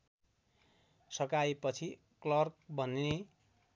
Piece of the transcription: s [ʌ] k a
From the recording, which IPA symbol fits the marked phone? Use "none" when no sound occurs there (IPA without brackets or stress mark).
ʌ